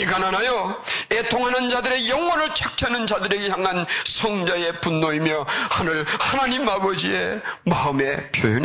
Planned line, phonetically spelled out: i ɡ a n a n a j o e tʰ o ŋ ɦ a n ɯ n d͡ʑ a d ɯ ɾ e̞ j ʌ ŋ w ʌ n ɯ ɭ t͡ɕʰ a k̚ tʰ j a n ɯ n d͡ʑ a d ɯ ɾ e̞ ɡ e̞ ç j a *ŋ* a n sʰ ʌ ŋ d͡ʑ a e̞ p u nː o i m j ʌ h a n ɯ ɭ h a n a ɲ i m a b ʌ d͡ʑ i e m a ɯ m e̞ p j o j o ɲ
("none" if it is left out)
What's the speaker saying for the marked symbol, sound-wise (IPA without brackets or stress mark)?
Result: ŋ